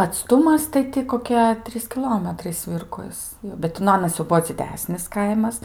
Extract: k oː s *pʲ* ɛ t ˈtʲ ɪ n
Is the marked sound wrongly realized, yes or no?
yes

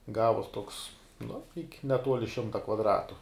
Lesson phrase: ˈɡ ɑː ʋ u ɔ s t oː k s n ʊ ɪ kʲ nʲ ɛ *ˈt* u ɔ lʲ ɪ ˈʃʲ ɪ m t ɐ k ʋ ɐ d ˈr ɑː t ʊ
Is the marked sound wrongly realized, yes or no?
no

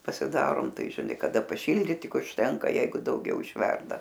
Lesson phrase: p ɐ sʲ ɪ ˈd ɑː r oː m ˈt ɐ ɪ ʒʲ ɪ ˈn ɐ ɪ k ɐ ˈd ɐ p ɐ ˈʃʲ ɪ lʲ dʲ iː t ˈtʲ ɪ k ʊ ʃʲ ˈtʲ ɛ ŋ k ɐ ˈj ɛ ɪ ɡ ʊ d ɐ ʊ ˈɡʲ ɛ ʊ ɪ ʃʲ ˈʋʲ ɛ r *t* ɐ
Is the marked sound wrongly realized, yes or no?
yes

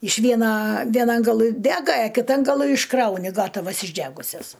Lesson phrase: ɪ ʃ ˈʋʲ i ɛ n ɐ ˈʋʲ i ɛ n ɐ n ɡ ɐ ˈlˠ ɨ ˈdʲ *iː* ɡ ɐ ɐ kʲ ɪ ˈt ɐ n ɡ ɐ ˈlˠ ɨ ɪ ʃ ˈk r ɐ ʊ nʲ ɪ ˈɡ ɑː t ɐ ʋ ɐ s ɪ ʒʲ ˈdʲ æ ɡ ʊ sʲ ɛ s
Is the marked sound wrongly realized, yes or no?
yes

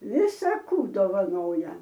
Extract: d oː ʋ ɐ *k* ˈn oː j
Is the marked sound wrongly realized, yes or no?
yes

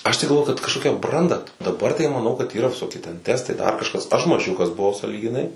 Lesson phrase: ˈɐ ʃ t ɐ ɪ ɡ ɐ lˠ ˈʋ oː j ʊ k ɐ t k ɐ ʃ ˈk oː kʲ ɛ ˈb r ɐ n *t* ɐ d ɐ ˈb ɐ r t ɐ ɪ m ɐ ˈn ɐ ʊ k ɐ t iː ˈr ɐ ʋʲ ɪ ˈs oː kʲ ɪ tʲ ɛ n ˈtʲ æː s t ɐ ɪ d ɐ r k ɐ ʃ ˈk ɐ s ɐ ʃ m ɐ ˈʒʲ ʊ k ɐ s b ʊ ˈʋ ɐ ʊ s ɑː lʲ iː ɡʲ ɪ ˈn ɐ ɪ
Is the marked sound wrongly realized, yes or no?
yes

